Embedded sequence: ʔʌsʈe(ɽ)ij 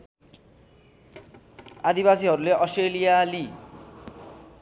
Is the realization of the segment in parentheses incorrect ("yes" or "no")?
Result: yes